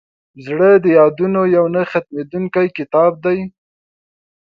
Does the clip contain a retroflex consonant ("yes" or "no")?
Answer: yes